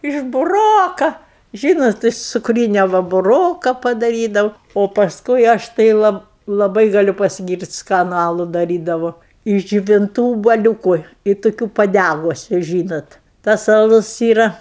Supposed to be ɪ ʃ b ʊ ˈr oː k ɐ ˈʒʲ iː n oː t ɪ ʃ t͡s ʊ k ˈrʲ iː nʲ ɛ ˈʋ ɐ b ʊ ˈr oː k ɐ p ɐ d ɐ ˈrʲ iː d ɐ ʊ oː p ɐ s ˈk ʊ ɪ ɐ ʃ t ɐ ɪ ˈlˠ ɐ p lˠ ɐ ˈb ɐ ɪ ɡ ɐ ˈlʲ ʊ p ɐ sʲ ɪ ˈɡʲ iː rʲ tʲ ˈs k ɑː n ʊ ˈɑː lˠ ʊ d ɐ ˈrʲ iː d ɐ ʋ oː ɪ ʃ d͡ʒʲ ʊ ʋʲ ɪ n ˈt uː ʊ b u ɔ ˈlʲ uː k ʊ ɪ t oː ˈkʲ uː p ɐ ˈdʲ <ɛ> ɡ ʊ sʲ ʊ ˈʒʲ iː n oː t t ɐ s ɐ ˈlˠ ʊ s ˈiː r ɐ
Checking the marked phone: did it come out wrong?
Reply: yes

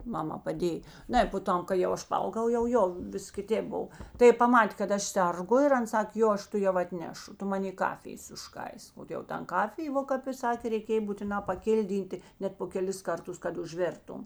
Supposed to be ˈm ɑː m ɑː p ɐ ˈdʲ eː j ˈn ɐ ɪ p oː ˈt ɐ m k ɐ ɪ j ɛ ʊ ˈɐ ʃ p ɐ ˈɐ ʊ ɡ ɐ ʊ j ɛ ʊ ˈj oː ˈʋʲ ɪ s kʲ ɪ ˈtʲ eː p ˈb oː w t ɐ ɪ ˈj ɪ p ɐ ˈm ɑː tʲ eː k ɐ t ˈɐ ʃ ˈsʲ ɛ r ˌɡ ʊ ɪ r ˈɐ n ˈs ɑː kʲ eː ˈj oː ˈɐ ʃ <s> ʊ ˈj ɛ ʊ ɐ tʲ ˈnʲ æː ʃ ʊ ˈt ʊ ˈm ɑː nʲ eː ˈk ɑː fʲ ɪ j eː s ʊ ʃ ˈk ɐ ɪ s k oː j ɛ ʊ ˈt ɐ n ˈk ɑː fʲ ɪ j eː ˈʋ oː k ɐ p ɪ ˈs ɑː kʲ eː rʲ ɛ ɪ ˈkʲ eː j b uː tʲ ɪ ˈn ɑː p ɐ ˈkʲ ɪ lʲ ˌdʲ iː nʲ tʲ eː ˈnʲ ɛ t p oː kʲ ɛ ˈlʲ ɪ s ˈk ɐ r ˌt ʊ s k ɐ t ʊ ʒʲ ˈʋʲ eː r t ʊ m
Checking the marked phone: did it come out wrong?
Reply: yes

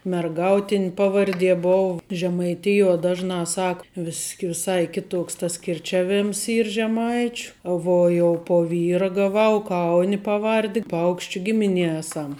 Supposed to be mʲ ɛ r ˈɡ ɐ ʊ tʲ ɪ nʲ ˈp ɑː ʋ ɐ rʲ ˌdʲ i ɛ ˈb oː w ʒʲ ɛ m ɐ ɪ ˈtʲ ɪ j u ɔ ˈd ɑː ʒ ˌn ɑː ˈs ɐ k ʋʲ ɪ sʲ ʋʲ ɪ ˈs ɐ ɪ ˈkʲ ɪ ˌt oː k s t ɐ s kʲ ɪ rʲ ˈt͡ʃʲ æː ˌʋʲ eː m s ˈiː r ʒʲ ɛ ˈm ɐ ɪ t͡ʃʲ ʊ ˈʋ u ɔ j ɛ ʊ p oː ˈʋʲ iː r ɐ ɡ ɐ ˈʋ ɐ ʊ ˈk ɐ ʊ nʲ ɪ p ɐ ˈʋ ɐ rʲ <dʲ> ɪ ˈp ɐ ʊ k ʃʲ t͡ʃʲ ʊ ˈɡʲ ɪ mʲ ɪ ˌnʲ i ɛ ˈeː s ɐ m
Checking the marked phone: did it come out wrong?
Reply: no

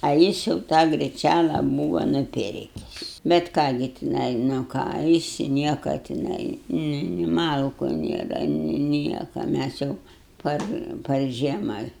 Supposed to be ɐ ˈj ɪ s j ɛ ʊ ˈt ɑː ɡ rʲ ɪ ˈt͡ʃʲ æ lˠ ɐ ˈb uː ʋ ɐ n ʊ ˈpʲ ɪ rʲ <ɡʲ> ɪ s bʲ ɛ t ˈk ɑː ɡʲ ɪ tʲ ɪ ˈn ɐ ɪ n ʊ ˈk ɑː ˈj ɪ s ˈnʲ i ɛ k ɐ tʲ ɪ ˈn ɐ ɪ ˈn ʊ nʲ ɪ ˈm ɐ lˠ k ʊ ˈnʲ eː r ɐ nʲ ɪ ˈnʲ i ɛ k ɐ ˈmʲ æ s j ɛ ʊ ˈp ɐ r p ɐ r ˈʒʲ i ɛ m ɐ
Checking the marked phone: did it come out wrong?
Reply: yes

